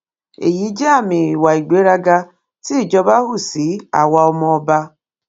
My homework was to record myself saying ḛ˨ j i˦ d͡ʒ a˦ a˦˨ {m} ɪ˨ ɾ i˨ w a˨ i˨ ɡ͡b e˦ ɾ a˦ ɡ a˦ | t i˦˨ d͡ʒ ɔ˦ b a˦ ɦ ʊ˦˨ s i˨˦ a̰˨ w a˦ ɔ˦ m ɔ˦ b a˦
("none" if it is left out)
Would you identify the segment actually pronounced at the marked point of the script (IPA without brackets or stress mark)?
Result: m